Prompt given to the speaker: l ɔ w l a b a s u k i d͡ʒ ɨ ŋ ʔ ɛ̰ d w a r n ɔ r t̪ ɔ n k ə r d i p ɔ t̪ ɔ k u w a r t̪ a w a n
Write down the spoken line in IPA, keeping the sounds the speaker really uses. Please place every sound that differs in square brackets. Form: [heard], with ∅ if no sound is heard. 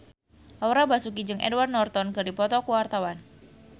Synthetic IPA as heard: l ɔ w [ɾ] a b a s u k i d͡ʒ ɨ ŋ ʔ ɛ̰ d w a r n ɔ r t̪ ɔ n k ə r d i p ɔ t̪ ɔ k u w a r t̪ a w a n